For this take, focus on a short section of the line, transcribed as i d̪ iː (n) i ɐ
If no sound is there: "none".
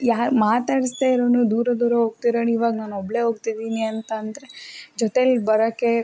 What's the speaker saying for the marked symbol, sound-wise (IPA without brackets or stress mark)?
n